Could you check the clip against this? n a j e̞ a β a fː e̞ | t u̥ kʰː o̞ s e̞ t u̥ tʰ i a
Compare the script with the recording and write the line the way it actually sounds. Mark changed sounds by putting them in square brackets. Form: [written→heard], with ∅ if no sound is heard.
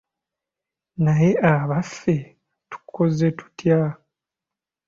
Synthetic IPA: n a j e̞ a β a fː e̞ | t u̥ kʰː o̞ [s→z] e̞ t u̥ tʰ [i→j] a